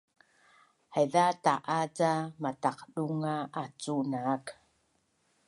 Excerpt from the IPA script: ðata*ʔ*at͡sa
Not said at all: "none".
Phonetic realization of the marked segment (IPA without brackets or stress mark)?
ʔ